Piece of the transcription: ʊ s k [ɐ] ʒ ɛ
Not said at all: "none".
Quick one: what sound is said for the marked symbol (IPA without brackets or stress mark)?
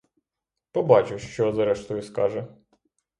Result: ɑ